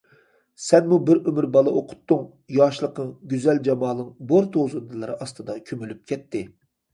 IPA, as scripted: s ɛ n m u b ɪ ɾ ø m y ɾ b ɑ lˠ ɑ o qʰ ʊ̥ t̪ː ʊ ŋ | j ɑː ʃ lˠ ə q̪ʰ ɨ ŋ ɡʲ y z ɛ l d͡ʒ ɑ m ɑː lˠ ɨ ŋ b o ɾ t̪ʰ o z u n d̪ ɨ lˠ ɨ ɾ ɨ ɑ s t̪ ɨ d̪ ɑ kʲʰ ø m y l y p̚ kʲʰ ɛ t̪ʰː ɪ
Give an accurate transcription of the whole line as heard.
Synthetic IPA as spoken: s ɛ n m u b ɪ ɾ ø m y ɾ b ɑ lˠ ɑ o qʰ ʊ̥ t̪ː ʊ ŋ | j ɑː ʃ lˠ ə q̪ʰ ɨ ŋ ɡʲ y z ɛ l d͡ʒ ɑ m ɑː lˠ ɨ ŋ b o ɾ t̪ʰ o z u n d̪ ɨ lˠ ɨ ɾ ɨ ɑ s t̪ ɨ d̪ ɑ kʲʰ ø m y l y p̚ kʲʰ ɛ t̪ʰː ɪ